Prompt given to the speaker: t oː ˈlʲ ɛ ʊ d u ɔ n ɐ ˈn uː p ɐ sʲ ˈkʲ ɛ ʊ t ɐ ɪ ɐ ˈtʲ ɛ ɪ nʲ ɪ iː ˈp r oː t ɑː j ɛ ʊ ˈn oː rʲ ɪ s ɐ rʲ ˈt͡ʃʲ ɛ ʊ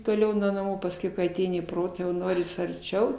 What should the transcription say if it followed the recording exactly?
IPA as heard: t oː ˈlʲ ɛ ʊ n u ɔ n ɐ ˈm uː p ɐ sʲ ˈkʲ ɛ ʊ k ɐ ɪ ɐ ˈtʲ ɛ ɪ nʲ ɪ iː ˈp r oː t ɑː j ɛ ʊ ˈn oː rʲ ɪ s ɐ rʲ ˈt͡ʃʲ ɛ ʊ